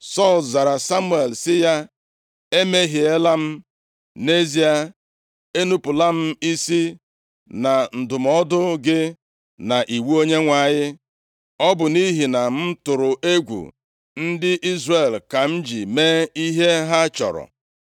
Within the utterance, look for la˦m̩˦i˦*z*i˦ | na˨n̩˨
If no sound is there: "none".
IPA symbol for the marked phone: s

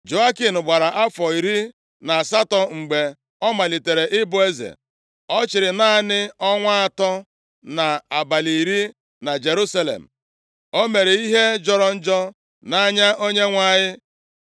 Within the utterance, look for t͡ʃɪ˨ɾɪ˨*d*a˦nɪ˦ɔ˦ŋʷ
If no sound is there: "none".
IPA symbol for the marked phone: n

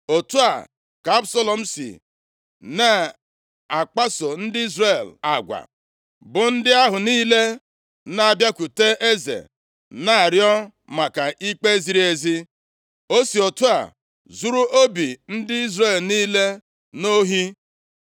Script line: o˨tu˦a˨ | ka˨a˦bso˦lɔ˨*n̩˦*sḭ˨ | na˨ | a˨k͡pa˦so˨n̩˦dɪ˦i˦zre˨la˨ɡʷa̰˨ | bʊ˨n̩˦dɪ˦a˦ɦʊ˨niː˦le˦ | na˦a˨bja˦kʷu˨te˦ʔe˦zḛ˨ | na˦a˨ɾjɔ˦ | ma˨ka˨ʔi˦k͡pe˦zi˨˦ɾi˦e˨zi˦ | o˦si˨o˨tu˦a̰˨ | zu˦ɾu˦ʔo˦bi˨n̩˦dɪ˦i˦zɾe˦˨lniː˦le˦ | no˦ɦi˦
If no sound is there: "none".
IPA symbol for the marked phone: m̩˦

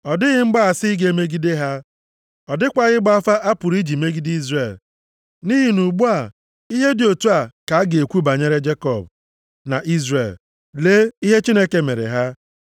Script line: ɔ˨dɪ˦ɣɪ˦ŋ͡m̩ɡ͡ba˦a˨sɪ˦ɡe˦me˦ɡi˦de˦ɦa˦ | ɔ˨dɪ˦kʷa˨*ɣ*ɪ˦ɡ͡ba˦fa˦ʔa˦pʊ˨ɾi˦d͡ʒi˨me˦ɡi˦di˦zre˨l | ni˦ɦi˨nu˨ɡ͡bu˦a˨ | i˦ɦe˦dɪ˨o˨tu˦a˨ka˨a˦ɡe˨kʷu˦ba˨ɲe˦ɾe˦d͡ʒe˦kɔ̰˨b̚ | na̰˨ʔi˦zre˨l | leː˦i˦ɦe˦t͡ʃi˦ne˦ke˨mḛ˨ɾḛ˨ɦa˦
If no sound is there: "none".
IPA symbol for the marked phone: ɣ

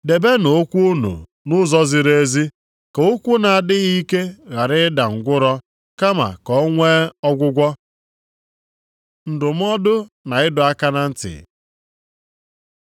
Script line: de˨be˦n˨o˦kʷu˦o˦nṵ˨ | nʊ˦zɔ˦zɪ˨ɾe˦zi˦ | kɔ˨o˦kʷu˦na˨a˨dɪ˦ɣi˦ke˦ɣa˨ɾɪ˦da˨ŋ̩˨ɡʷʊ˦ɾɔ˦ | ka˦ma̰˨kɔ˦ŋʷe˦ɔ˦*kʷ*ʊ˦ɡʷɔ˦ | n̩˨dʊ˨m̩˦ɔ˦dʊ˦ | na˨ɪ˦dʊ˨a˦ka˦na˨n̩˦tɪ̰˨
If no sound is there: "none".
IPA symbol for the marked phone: ɡʷ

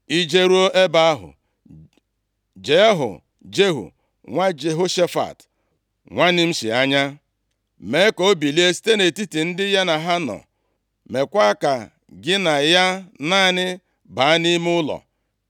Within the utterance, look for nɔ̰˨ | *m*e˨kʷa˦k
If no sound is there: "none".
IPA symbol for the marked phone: m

